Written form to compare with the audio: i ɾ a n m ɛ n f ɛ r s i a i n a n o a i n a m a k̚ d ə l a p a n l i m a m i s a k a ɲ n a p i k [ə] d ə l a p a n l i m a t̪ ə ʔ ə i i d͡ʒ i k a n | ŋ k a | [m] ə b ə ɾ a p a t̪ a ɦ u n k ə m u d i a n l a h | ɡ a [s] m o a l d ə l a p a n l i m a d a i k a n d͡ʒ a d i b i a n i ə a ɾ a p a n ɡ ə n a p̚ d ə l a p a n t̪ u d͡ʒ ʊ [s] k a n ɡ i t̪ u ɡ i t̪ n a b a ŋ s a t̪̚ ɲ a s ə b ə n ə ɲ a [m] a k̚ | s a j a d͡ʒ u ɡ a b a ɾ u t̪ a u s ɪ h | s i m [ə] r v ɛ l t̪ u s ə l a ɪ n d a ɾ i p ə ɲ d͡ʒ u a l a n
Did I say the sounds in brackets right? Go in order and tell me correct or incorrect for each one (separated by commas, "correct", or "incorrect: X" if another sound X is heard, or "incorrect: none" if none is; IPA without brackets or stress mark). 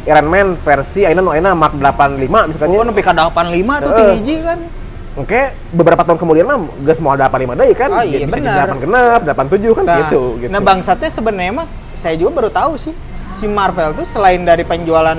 incorrect: a, incorrect: b, correct, incorrect: h, correct, incorrect: a